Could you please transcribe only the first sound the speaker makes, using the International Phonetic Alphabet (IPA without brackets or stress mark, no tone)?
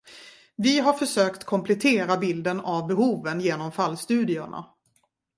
v